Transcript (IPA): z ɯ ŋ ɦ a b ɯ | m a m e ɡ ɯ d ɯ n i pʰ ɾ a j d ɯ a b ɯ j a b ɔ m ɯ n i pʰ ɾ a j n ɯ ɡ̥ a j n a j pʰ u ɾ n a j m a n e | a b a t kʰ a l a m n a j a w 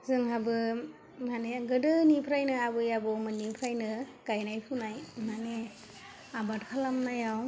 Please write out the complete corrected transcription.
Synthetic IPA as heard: z ɯ ŋ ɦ a b ɯ | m a n e ɡ ɯ d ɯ n i pʰ ɾ a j n ɯ a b ɯ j a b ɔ m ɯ n i pʰ ɾ a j n ɯ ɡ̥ a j n a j pʰ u n a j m a n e | a b a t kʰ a l a m n a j a w

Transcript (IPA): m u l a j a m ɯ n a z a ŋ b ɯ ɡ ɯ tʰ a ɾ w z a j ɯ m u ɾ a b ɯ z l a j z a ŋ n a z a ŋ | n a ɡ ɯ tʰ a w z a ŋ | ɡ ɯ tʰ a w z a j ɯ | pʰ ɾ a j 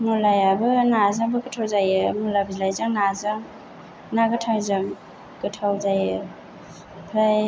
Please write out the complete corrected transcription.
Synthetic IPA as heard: m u l a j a b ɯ n a z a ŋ b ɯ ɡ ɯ tʰ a w z a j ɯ m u l a b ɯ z l a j z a ŋ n a z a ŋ | n a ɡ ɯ tʰ a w z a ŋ | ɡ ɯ tʰ a w z a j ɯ | pʰ ɾ a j

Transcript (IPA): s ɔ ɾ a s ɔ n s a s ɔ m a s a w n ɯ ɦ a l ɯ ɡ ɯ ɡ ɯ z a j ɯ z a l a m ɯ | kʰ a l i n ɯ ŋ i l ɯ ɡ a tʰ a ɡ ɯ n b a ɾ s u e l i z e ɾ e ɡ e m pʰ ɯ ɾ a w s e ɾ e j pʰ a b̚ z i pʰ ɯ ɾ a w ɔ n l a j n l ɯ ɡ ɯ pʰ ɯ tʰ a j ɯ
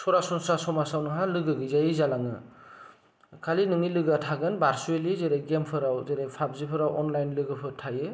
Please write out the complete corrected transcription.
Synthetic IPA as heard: s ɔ ɾ a s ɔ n s a s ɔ m a s a w n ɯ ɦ a l ɯ ɡ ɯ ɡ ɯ z a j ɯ z a l a ŋ ɯ | kʰ a l i n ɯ ŋ i l ɯ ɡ a tʰ a ɡ ɯ n b a ɾ s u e l i z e ɾ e ɡ e m pʰ ɯ ɾ a w z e ɾ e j pʰ a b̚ z i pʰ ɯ ɾ a w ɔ n l a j n l ɯ ɡ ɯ pʰ ɯ tʰ a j ɯ

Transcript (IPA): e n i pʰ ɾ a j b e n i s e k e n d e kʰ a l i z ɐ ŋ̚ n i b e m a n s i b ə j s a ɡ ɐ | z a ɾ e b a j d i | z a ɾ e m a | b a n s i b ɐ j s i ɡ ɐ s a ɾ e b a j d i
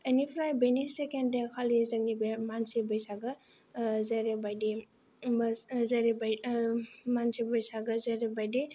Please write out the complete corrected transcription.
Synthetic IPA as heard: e n i pʰ ɾ a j b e n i s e k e n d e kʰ a l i z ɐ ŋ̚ n i b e m a n s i b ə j s a ɡ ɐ | z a ɾ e b a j d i | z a ɾ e b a | m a n s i b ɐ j s a ɡ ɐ z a ɾ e b a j d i

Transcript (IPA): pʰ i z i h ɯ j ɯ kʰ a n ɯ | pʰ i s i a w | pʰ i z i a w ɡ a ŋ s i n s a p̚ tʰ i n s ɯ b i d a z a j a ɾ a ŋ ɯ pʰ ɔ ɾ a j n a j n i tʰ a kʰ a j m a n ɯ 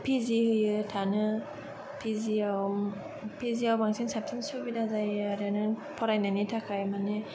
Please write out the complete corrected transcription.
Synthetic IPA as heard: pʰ i z i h ɯ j ɯ tʰ a n ɯ | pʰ i z i a w | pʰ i z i a w b a ŋ s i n s a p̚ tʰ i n s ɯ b i d a z a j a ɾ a n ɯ pʰ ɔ ɾ a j n a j n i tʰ a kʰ a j m a n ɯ

